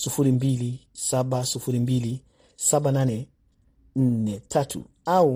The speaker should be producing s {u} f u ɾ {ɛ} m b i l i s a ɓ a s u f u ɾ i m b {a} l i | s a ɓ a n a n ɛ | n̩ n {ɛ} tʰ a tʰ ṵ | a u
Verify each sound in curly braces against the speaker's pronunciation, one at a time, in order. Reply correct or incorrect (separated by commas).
correct, incorrect, incorrect, correct